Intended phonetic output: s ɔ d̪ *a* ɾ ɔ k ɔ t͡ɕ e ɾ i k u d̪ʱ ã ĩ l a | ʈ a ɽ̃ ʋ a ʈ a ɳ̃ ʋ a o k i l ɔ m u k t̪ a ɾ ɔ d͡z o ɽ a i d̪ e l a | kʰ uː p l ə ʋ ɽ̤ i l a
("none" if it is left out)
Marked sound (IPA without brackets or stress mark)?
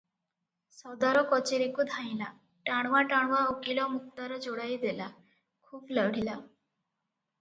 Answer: a